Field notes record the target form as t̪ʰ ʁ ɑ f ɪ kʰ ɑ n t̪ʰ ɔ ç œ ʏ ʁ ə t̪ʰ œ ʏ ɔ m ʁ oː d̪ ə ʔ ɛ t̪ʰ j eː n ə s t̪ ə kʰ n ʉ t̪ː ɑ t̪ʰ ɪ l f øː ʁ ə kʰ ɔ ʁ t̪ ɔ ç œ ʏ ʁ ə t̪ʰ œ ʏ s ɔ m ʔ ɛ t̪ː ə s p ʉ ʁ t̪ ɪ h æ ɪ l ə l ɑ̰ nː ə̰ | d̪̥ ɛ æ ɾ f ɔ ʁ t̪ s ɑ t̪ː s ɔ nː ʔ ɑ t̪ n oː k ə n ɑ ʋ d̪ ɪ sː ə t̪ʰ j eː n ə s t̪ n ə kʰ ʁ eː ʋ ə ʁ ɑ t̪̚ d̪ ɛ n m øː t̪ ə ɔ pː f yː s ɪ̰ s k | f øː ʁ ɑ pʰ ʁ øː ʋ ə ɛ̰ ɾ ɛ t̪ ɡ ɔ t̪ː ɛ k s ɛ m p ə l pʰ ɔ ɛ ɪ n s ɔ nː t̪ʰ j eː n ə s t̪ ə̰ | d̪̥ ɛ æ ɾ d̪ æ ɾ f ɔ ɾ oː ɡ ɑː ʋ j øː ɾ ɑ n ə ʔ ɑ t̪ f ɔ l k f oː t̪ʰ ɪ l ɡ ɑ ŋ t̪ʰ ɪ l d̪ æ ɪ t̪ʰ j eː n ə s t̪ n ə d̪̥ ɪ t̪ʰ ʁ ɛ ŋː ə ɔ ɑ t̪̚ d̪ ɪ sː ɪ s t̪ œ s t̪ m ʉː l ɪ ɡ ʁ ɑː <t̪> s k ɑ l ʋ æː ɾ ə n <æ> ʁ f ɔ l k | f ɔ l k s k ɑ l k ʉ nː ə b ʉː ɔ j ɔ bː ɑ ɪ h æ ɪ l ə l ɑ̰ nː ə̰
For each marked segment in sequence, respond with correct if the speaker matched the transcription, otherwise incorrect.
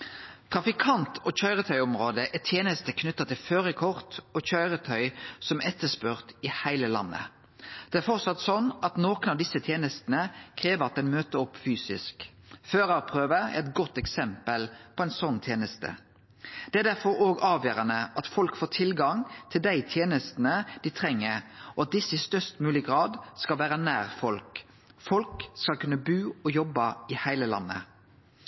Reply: incorrect, incorrect

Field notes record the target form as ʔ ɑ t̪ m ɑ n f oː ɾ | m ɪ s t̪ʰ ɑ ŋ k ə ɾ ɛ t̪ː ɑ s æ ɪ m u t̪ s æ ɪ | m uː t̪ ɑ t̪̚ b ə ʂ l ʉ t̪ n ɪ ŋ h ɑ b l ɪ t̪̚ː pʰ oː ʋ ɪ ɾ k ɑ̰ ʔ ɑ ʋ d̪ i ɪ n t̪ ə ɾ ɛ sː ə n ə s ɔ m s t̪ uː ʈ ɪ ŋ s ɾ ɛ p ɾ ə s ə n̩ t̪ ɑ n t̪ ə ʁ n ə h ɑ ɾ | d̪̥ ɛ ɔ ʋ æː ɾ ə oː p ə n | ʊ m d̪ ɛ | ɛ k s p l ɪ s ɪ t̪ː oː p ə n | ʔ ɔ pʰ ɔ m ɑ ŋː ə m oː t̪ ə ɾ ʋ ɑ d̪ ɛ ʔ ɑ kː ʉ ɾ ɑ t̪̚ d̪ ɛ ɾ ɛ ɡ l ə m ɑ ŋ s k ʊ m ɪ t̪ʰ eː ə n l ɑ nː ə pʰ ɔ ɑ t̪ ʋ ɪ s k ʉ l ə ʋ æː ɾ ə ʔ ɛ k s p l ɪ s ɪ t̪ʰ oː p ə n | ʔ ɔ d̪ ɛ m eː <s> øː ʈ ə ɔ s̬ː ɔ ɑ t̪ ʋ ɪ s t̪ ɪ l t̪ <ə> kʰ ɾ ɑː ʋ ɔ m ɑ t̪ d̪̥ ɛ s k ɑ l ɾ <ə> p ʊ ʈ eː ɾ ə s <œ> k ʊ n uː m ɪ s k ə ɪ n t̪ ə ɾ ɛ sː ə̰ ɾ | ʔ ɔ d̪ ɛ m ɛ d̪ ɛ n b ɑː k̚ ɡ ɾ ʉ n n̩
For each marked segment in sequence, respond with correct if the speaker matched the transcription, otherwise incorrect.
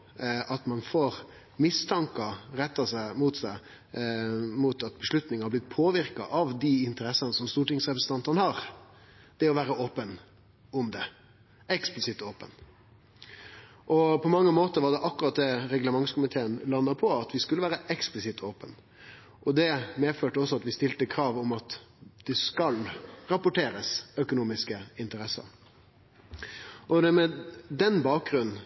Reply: incorrect, correct, incorrect, correct

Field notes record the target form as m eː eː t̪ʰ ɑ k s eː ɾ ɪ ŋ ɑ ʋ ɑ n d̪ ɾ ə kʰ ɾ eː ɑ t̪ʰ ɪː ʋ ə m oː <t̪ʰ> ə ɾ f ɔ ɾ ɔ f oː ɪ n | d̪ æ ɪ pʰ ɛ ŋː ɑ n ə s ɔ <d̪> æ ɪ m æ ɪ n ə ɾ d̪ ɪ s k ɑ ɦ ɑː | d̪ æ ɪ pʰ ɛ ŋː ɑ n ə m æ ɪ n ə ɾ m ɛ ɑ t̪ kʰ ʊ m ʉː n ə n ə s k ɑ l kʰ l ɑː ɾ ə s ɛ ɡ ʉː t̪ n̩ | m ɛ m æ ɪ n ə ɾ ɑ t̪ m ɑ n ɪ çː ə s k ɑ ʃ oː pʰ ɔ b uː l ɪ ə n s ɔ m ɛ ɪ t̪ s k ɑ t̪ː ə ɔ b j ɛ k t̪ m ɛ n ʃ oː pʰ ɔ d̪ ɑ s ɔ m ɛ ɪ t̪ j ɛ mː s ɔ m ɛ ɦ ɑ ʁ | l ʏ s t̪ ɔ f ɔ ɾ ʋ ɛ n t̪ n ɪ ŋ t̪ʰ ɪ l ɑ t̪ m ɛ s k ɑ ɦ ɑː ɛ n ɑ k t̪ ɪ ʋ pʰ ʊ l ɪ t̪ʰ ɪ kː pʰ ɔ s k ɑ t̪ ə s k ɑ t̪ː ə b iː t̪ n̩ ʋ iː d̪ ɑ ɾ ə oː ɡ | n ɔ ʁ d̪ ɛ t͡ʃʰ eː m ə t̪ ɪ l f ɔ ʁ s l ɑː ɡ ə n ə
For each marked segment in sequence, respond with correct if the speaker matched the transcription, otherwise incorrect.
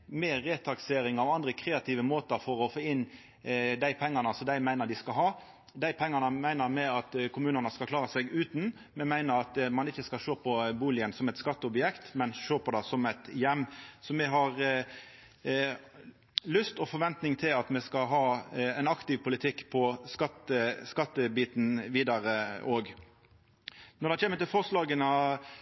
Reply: incorrect, correct

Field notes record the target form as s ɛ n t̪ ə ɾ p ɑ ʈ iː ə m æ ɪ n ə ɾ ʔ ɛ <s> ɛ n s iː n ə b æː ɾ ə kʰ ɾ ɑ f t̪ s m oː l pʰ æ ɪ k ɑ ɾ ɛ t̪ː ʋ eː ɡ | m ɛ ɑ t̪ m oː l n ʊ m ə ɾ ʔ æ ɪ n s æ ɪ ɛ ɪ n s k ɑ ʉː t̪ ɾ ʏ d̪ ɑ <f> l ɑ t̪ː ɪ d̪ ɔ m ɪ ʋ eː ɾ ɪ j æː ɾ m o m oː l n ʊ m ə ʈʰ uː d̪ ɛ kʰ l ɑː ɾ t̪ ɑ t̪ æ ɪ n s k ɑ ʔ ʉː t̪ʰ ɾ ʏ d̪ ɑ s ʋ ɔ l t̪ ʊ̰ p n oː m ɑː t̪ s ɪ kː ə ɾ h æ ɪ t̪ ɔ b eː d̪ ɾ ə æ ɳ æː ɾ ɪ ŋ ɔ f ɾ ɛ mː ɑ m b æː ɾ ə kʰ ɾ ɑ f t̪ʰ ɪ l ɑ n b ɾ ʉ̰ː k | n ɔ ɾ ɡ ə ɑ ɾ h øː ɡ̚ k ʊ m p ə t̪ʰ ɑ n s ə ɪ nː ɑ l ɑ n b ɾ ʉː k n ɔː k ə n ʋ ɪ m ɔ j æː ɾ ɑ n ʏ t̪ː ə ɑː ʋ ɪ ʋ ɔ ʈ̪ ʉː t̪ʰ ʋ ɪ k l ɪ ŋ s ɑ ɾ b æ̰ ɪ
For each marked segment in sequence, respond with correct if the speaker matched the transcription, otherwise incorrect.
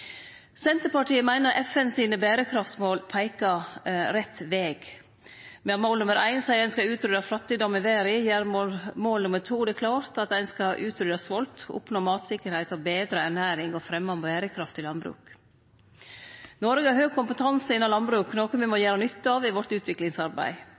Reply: incorrect, correct

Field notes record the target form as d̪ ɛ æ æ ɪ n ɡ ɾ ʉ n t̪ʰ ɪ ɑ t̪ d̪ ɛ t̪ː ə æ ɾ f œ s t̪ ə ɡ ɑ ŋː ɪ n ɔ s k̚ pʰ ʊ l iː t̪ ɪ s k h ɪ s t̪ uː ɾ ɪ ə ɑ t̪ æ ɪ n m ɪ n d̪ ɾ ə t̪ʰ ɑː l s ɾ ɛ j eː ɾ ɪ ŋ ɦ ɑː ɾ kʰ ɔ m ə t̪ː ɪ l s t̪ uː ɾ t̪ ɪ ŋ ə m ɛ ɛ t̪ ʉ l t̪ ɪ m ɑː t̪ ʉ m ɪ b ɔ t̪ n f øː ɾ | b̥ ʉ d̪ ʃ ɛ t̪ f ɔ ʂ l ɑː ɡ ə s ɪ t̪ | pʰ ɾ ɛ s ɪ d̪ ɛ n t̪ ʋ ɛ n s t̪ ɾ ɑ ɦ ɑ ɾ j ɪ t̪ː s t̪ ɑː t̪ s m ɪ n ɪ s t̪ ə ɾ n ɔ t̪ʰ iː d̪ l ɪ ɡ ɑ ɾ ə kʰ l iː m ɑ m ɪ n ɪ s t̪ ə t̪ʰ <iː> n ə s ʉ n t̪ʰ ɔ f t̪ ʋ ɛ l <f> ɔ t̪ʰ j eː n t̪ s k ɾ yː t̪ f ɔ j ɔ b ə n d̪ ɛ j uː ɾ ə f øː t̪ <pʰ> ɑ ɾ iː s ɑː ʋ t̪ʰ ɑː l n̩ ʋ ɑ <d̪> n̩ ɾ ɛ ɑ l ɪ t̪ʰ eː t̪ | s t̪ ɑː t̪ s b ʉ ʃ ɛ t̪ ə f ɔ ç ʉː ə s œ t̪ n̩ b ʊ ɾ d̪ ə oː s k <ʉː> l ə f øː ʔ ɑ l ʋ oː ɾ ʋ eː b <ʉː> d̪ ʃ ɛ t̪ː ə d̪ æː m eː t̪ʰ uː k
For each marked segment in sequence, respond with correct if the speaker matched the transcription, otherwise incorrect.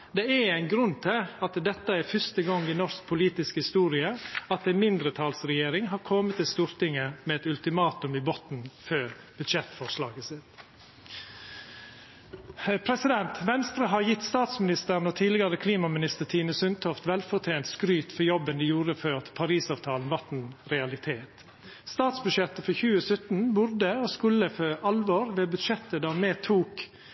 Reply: correct, correct, correct, incorrect, incorrect, incorrect

